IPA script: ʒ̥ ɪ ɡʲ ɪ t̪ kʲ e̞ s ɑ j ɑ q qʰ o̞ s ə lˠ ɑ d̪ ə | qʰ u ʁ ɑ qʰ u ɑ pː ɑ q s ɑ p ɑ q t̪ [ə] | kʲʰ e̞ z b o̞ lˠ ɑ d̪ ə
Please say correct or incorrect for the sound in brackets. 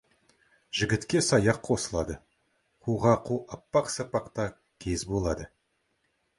incorrect